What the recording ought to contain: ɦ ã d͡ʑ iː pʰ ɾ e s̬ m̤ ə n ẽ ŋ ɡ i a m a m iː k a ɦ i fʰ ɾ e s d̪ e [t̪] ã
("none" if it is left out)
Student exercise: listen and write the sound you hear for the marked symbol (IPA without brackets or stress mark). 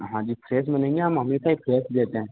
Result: t̪